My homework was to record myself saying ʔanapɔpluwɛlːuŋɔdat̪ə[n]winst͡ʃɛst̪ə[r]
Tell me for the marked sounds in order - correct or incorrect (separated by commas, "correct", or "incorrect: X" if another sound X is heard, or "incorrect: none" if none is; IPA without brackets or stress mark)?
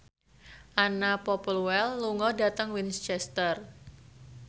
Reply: incorrect: ŋ, correct